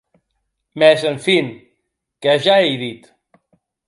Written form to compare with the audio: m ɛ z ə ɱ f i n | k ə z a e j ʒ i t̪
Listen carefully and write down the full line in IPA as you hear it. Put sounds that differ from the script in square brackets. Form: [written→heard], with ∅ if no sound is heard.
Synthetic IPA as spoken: m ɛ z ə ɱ f i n | k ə [z→ʒ] a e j [ʒ→ð] i t̪